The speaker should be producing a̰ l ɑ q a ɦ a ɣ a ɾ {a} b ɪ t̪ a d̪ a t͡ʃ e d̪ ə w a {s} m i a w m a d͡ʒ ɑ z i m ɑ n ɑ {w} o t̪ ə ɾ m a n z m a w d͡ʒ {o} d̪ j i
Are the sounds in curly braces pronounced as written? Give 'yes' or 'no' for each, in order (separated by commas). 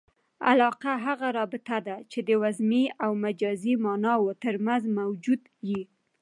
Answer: no, no, yes, no